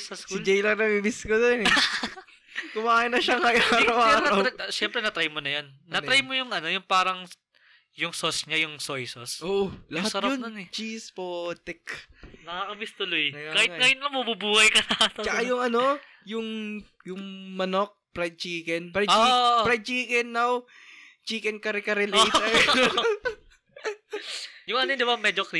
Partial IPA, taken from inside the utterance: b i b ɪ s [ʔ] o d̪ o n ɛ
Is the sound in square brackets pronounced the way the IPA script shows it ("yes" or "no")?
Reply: no